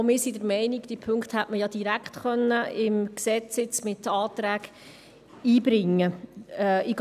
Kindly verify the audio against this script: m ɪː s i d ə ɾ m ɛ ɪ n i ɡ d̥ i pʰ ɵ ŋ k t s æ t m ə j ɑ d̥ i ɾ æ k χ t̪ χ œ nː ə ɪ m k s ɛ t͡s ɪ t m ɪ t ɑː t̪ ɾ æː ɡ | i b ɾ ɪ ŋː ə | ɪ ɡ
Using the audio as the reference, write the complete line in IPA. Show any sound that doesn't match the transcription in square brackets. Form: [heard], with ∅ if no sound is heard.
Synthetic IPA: m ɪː s i d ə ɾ m ɛ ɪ n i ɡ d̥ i pʰ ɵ ŋ k t [h] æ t m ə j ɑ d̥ i ɾ æ k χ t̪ χ œ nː ə ɪ m k s ɛ t͡s ɪ [t͡s] m ɪ t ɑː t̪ ɾ æː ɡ | [iː] b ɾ ɪ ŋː ə | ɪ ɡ